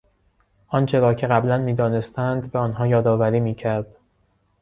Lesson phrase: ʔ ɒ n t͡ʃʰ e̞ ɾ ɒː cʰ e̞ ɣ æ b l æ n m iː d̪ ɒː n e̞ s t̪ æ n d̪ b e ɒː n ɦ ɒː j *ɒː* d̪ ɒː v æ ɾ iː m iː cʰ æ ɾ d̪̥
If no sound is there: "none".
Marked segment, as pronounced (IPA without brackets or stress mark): ɒː